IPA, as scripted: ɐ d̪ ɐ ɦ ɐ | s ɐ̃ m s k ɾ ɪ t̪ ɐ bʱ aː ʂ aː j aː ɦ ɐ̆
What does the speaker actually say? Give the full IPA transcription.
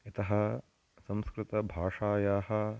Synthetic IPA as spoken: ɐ t̪ ɐ ɦ ɐ | s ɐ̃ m s k ɾ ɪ t̪ ɐ bʱ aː ʂ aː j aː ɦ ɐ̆